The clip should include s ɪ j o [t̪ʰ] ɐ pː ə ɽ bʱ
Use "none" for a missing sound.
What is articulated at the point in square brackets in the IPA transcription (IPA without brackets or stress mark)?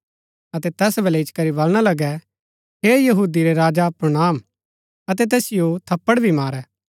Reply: t̪ʰ